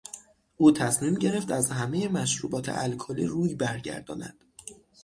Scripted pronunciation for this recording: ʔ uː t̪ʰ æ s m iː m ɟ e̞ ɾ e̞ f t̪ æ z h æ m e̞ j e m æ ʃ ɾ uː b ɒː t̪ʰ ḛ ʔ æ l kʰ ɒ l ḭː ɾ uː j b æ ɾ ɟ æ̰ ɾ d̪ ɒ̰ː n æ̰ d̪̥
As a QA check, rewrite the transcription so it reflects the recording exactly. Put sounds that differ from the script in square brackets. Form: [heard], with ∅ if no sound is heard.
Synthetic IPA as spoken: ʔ uː t̪ʰ æ s m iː m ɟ e̞ ɾ e̞ f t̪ æ z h æ m e̞ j e m æ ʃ ɾ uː b ɒː t̪ʰ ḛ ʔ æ l kʰ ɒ l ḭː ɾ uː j b æ ɾ ɟ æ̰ ɾ d̪ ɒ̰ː n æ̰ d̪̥